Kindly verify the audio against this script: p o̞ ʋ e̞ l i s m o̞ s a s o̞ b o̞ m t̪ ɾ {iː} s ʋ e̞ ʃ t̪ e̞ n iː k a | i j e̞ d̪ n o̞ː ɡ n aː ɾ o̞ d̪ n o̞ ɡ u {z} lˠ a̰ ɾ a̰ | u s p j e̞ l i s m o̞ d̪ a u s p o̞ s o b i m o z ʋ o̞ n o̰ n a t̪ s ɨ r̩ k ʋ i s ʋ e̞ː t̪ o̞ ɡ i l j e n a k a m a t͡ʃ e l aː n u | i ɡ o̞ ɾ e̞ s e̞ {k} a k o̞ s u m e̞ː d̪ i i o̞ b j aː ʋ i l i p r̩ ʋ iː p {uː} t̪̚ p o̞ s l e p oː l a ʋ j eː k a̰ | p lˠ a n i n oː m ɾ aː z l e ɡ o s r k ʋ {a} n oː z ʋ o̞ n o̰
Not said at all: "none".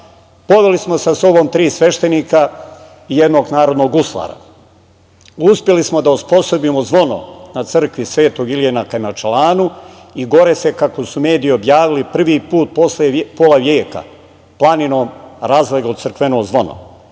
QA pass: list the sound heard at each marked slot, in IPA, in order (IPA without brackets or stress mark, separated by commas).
iː, s, k, uː, e